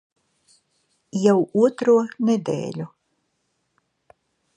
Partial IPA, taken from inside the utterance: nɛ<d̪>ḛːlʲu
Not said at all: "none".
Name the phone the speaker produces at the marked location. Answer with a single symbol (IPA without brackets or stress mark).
d̪